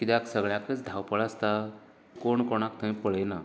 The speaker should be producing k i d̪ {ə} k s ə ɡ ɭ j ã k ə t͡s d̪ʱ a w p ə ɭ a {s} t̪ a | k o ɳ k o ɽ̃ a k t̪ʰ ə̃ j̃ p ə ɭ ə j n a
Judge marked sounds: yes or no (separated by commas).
no, yes